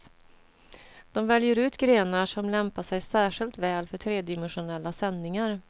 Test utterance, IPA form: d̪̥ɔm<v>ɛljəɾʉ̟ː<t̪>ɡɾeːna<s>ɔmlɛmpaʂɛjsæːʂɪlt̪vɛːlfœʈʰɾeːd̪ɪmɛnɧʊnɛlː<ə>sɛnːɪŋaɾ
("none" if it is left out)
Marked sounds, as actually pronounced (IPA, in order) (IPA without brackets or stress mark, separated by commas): v, t̪, ʂ, a